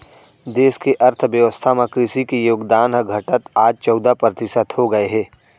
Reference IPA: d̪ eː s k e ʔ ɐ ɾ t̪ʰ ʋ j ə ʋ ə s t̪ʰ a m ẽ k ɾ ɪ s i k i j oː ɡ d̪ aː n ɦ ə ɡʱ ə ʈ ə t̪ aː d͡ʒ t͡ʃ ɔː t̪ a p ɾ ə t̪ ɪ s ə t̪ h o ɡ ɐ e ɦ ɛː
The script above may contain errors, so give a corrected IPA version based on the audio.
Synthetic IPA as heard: d̪ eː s k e ʔ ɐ ɾ t̪ʰ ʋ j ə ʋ ə s t̪ʰ a m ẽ k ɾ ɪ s i k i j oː ɡ d̪ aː n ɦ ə ɡʱ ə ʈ ə t̪ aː d͡ʒ t͡ʃ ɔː d̪ a p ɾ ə t̪ ɪ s ə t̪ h o ɡ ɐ e ɦ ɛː